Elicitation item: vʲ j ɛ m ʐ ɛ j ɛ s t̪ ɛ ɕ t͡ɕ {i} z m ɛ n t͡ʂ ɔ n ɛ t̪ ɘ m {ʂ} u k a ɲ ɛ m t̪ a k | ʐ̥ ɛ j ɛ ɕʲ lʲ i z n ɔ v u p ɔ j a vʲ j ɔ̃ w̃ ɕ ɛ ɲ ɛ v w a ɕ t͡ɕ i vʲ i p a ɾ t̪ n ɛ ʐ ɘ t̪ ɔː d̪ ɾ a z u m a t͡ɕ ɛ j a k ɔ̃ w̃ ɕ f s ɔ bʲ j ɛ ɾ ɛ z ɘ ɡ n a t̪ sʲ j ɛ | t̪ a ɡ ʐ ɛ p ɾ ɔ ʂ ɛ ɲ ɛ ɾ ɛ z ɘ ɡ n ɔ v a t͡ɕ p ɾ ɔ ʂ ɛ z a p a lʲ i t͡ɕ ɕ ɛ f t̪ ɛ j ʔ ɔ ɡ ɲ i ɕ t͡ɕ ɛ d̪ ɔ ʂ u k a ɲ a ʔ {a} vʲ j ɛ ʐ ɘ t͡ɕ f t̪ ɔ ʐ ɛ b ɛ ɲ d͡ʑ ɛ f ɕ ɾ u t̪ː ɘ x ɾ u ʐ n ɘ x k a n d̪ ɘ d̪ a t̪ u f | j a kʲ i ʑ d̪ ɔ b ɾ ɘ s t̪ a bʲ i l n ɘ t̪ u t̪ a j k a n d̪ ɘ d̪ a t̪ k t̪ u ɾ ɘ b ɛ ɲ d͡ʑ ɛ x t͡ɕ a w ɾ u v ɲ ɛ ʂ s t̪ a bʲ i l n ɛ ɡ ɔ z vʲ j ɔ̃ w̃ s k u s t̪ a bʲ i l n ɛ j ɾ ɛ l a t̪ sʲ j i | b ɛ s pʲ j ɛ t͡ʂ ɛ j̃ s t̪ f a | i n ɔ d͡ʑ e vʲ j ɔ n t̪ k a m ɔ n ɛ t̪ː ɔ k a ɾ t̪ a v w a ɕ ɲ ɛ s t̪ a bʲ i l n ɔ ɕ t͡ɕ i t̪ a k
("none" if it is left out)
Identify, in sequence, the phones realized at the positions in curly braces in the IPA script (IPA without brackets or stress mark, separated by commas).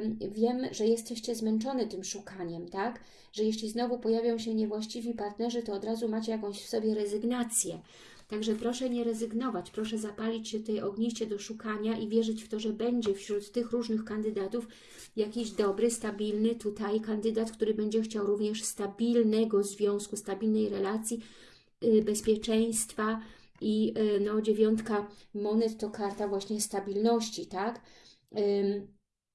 ɛ, ʂ, i